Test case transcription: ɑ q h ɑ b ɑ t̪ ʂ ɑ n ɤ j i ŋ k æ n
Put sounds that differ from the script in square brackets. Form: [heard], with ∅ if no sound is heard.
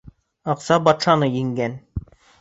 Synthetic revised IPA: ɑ q [s] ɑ b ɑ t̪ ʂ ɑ n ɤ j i ŋ [ɡ] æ n